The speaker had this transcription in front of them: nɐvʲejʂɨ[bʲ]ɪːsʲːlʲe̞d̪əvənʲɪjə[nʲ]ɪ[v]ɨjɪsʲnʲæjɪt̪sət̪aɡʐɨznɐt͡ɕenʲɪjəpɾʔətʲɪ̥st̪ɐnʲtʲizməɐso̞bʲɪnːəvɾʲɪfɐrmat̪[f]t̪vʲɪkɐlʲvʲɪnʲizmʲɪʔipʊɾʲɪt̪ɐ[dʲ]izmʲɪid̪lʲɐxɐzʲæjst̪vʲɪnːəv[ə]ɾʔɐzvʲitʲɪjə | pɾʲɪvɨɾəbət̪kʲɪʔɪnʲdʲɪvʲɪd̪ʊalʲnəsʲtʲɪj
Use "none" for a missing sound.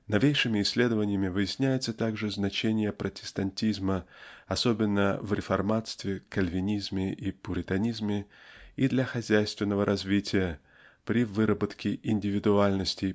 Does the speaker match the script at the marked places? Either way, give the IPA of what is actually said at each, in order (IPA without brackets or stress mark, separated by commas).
mʲ, mʲ, v, s, nʲ, ə